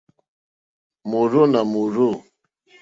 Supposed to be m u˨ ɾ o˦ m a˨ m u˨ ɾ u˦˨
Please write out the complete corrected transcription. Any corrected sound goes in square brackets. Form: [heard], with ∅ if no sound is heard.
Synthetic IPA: m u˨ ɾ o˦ [n] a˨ m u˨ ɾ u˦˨